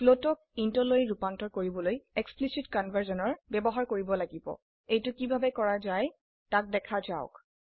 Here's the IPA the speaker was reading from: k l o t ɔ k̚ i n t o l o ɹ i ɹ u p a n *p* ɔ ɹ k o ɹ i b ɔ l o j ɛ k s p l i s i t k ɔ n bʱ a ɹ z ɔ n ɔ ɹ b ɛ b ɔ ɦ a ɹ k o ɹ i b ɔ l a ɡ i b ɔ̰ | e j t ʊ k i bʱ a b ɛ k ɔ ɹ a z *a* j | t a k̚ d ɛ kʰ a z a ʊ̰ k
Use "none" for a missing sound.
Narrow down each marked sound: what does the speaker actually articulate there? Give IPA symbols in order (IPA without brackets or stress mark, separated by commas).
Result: t, a